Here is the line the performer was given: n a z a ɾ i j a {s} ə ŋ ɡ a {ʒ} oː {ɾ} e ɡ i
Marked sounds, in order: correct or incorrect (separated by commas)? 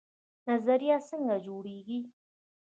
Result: correct, incorrect, incorrect